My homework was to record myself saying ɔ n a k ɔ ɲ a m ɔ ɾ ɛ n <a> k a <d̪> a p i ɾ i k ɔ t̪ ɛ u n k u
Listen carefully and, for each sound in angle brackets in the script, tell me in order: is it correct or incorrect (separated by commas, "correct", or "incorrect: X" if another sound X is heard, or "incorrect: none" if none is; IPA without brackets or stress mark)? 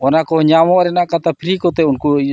correct, incorrect: t̪